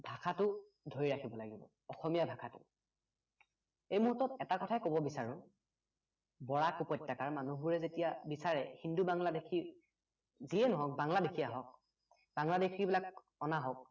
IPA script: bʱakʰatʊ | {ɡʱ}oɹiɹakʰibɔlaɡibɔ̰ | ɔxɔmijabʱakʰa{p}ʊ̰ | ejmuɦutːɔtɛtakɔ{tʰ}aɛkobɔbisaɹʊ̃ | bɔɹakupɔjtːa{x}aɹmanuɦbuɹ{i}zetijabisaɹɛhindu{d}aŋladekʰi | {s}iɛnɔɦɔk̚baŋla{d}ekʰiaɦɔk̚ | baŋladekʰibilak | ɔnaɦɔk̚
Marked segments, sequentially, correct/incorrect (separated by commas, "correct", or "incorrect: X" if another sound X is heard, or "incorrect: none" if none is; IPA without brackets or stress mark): incorrect: dʱ, incorrect: t, correct, incorrect: k, incorrect: ɛ, incorrect: b, incorrect: z, correct